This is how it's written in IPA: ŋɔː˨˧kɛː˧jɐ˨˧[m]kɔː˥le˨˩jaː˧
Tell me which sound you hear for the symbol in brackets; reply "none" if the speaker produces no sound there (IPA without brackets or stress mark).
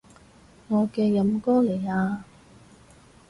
m